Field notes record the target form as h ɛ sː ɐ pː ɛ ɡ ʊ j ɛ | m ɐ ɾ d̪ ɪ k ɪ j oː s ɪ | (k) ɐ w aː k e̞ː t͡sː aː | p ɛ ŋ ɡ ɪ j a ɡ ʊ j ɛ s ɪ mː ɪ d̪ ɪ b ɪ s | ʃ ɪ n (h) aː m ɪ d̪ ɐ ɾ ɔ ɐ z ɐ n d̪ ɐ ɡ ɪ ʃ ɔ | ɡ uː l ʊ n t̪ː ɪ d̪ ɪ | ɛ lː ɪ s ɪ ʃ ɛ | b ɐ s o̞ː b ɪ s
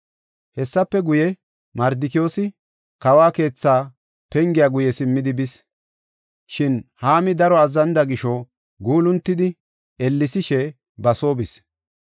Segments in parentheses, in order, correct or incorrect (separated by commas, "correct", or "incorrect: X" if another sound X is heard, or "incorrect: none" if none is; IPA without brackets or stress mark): correct, correct